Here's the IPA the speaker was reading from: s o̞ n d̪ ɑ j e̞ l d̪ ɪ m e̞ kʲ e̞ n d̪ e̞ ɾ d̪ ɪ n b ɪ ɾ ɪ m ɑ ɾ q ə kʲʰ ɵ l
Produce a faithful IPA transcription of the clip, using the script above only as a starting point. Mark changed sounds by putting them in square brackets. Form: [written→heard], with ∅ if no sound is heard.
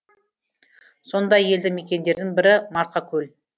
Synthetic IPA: s o̞ n d̪ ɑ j e̞ l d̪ ɪ m e̞ kʲ e̞ n d̪ e̞ ɾ d̪ ɪ [n→ŋ] b ɪ ɾ ɪ m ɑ ɾ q [ə→ɑ] kʲʰ ɵ l